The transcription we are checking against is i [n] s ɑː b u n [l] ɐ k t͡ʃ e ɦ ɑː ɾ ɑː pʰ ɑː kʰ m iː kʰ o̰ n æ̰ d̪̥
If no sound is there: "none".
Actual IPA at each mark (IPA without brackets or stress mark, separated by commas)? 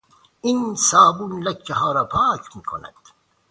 n, l